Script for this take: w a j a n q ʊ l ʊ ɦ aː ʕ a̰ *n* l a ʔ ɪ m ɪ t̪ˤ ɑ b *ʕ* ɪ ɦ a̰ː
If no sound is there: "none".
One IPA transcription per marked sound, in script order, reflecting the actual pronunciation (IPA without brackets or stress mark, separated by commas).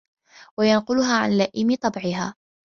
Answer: n, ʕ